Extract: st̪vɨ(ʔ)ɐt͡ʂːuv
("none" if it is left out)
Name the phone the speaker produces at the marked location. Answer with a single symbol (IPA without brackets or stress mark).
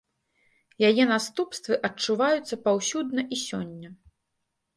ʔ